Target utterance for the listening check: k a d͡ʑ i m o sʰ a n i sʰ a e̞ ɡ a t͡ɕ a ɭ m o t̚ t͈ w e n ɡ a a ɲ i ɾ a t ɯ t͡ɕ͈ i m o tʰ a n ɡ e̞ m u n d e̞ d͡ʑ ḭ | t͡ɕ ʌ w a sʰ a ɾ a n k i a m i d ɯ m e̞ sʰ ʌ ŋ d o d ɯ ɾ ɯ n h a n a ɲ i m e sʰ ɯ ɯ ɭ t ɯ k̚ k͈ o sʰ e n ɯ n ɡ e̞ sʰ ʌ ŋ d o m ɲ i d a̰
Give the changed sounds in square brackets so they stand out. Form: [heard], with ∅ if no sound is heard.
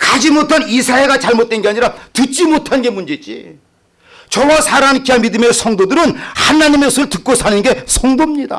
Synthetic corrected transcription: k a d͡ʑ i m o [tʰ] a n i sʰ a e̞ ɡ a t͡ɕ a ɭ m o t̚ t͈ w e n ɡ [e] a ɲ i ɾ a t ɯ t͡ɕ͈ i m o tʰ a n ɡ e̞ m u n [d͡ʑ] e̞ d͡ʑ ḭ | t͡ɕ ʌ w a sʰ a ɾ a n k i a m i d ɯ m e̞ sʰ ʌ ŋ d o d ɯ ɾ ɯ n h a n a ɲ i m e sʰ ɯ ɯ ɭ t ɯ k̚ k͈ o sʰ [a] n ɯ n ɡ e̞ sʰ ʌ ŋ d o m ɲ i d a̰